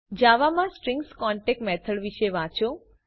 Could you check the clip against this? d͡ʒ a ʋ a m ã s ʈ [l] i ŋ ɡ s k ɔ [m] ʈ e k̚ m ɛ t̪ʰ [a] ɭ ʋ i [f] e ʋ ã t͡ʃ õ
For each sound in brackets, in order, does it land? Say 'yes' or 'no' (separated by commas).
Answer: no, no, no, no